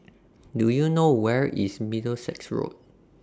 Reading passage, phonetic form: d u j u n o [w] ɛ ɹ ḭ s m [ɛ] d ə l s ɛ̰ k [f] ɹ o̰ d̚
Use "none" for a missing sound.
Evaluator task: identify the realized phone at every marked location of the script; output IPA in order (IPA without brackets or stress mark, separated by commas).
w, i, s